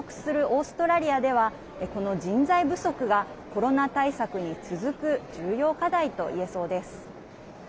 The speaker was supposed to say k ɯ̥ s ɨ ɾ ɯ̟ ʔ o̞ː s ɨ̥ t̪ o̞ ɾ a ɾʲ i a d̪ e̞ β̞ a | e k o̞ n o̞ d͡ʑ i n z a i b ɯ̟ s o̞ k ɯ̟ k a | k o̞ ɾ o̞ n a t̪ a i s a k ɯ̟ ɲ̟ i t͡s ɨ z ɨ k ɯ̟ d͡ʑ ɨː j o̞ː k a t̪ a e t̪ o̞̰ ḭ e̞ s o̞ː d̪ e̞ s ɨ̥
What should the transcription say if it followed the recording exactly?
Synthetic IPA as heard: k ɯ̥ s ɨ ɾ ɯ̟ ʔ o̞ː s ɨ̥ t̪ o̞ ɾ a ɾʲ i a d̪ e̞ β̞ a | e k o̞ n o̞ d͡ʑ ĩ n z a i b ɯ̟ s o̞ k ɯ̟ ɡ a | k o̞ ɾ o̞ n a t̪ a i s a k ɯ̟ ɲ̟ i t͡s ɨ z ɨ k ɯ̟ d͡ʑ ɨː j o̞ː k a d̪ a i t̪ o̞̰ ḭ e̞ s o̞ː d̪ e̞ s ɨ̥